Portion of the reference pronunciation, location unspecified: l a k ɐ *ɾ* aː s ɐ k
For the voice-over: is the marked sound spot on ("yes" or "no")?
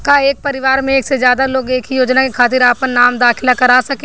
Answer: yes